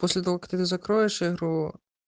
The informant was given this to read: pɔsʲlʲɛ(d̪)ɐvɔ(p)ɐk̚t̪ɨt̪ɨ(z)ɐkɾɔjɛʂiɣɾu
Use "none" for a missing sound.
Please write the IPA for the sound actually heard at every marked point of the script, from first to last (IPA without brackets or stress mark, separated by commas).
t̪, k, z